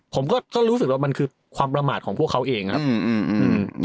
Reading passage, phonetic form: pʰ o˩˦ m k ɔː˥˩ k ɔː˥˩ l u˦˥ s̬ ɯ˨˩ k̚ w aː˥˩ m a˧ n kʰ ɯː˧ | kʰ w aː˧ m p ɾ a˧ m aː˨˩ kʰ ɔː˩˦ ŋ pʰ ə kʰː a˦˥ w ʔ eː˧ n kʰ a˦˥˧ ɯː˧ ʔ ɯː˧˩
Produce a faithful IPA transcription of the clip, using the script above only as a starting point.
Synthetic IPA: pʰ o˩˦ m k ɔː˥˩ k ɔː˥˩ ɾ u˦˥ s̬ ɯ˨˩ k̚ w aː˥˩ m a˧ n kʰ ɯː˧ | kʰ w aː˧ m p ɾ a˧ m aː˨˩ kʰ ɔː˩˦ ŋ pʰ ə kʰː a˦˥ w ʔ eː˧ ŋ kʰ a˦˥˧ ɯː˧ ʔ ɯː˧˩

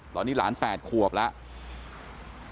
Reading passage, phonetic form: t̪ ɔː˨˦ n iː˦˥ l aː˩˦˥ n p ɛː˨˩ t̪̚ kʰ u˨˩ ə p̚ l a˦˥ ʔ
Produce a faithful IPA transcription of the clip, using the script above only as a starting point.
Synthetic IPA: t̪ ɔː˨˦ n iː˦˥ l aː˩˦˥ n p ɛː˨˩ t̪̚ kʰ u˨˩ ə p̚ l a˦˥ ʔ

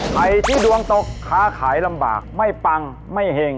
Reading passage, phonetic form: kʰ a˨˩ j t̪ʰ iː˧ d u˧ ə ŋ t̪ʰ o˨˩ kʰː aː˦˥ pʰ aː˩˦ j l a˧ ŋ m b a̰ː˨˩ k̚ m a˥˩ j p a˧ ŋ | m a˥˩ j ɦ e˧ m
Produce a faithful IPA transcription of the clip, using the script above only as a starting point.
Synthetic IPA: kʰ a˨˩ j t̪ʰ iː˥˩ d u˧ ə ŋ t̪ o˨˩ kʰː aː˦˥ kʰ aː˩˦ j l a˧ m b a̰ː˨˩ k̚ m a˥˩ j p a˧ ŋ | m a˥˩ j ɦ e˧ ŋ

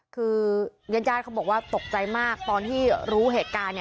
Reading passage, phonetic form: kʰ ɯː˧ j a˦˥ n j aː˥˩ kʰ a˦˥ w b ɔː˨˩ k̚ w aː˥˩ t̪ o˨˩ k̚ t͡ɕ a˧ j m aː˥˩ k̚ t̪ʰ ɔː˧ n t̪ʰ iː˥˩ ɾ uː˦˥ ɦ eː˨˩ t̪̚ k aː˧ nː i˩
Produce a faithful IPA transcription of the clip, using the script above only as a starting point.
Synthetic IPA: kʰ ɯː˧ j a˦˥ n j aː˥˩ kʰ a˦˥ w b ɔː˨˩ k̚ w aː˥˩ t̪ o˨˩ k̚ t͡ɕ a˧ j m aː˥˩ k̚ t̪ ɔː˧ n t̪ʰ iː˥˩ ɾ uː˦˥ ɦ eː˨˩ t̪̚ k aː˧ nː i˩

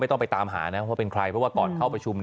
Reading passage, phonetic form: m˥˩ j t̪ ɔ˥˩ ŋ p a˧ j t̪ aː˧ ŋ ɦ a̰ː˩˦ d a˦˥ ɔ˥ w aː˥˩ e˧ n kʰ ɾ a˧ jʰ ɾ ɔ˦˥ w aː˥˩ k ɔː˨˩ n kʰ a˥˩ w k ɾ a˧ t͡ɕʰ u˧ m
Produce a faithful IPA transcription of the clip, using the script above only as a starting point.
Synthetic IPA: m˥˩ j t̪ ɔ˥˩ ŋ p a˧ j t̪ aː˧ m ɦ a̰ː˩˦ n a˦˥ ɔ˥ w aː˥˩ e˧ n kʰ ɾ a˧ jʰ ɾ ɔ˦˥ w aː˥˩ k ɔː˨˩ n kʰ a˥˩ w p ɾ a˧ t͡ɕʰ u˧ m

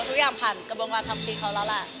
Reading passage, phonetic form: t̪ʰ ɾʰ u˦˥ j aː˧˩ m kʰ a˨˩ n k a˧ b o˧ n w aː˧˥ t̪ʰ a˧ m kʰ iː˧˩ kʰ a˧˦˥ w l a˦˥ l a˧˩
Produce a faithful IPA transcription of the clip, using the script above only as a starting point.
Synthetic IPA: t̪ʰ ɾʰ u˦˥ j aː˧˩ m pʰ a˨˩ n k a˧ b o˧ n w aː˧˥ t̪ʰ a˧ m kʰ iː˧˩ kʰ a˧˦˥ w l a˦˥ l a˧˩

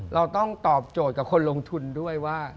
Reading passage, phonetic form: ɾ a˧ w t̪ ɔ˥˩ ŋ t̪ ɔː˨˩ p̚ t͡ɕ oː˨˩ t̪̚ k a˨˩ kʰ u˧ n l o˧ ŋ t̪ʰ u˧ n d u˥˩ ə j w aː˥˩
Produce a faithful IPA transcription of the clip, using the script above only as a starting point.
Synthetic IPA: ɾ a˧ w t̪ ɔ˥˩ ŋ t̪ ɔː˨˩ p̚ t͡ɕ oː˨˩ t̪̚ k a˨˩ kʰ o˧ n l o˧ ŋ t̪ʰ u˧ n d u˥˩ ə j w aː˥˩

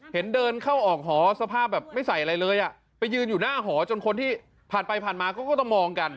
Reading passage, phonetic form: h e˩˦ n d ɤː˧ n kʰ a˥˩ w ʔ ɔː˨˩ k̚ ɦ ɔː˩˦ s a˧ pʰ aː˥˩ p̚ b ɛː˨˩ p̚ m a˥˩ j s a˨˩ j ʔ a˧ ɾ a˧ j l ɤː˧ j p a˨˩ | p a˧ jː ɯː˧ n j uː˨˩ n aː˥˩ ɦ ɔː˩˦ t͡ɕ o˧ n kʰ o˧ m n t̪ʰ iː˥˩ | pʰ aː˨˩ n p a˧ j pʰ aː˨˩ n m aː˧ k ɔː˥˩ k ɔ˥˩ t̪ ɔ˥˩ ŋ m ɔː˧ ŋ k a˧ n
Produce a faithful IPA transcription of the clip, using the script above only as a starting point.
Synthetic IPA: h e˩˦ n d ɤː˧ n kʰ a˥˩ w ʔ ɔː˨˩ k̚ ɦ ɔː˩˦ s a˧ pʰ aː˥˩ p̚ b ɛː˨˩ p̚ m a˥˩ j s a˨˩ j ʔ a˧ ɾ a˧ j l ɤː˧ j ʔ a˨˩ | p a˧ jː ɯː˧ n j uː˨˩ n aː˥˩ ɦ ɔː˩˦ t͡ɕ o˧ n kʰ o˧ n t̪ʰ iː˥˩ | pʰ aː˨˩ n p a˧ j pʰ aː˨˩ n m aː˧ k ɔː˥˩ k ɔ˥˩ t̪ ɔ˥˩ ŋ m ɔː˧ ŋ k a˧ n

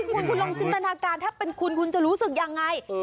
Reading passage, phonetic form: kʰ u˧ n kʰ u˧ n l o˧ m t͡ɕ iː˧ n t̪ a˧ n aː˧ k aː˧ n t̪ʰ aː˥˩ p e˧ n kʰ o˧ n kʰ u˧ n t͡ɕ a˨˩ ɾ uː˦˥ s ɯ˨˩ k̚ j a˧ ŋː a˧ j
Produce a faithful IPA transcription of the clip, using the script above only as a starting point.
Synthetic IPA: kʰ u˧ n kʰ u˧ n l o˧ ŋ t͡ɕ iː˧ n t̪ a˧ n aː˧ k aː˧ n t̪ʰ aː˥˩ p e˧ n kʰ u˧ n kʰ u˧ n t͡ɕ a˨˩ ɾ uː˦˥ s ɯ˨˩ k̚ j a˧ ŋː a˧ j

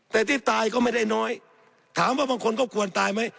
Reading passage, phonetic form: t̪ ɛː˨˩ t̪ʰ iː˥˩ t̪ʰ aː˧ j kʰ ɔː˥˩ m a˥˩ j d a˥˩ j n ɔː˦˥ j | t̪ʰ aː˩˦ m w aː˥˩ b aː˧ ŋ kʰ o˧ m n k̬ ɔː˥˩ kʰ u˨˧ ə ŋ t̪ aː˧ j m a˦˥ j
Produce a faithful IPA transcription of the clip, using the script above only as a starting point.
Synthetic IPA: t̪ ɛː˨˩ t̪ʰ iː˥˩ t̪ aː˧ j k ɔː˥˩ m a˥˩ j d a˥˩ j n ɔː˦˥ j | t̪ʰ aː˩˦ m w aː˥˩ b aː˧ ŋ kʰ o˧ n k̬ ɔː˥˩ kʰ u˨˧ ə n t̪ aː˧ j m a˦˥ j

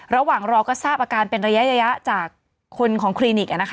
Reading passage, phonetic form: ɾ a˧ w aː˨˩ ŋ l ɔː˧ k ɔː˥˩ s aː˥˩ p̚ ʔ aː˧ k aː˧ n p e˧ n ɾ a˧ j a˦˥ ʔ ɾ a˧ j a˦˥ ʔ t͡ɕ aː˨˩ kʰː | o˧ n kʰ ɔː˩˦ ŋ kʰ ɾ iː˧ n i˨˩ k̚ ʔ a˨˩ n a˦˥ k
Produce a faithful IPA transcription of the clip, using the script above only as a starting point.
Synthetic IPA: ɾ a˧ w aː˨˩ ŋ ɾ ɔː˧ k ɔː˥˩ s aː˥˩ p̚ ʔ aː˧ k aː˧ n p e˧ n ɾ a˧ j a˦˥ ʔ ɾ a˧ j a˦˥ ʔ t͡ɕ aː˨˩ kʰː | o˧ n kʰ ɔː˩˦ ŋ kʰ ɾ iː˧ n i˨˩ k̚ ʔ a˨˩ n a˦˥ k

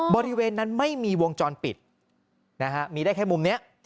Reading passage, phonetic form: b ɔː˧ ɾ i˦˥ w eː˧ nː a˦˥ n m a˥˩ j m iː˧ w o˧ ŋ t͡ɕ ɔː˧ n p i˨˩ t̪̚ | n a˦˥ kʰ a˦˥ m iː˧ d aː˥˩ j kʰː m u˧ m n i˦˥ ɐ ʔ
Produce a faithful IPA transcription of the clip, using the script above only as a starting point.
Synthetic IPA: b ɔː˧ ɾ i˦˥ w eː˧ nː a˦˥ n m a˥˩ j m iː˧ w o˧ ŋ t͡ɕ ɔː˧ n p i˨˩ t̪̚ | n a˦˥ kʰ a˦˥ m iː˧ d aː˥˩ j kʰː m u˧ m n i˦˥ ɐ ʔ

